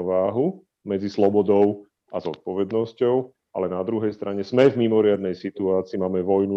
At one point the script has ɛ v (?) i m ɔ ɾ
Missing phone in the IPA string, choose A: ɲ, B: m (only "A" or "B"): B